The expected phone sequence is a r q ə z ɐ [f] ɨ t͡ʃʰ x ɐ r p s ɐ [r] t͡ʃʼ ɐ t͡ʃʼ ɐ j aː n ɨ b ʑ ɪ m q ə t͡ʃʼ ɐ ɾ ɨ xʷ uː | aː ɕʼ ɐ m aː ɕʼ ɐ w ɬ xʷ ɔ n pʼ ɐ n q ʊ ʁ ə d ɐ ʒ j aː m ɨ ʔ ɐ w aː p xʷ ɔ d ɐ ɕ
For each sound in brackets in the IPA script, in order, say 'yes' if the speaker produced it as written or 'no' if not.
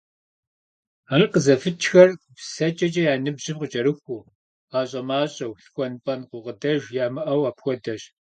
yes, no

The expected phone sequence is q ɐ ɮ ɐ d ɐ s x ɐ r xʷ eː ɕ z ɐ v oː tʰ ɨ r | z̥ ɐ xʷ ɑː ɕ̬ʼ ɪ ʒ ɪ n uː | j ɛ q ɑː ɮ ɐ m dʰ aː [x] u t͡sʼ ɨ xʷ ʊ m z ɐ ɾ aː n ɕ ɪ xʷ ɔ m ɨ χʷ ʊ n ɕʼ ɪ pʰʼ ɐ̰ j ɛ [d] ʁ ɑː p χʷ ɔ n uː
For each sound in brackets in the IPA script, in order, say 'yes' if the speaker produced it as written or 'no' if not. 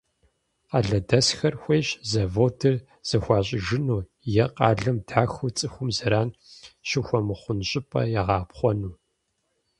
yes, no

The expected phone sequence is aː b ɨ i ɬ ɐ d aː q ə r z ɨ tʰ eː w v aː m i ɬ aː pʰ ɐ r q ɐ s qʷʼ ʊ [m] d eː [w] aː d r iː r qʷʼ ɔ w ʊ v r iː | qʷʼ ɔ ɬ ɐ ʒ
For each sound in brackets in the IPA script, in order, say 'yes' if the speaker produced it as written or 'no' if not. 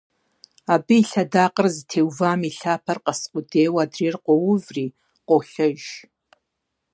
no, yes

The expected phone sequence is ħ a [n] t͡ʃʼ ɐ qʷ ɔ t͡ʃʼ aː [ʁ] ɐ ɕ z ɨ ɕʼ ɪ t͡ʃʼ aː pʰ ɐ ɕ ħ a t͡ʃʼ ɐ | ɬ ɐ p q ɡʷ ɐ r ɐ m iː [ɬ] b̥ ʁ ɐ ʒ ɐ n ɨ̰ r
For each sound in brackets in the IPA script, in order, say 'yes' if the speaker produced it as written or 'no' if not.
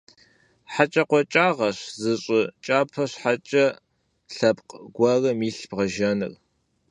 no, yes, yes

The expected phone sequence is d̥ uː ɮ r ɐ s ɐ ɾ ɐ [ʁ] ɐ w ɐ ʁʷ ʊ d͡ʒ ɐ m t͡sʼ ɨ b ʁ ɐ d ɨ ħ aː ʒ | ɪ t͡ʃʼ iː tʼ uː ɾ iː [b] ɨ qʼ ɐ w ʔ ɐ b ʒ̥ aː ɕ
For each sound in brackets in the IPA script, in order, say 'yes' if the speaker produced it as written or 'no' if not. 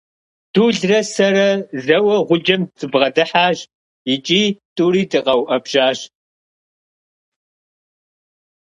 no, no

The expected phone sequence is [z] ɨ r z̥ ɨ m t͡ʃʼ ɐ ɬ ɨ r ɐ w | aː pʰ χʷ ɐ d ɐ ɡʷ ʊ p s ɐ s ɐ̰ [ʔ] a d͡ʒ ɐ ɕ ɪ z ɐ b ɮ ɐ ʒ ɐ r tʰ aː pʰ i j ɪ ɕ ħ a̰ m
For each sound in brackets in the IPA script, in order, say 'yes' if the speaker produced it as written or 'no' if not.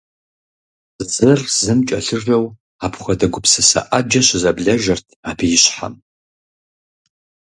yes, yes

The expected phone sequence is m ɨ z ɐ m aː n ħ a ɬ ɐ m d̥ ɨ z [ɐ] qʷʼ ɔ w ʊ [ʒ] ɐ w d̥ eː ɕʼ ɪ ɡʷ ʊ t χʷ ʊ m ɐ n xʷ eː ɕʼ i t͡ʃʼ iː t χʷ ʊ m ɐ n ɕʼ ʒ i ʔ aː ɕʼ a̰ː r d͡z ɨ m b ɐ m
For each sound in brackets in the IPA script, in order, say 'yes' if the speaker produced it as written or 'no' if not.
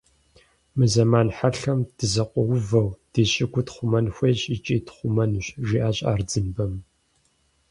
yes, no

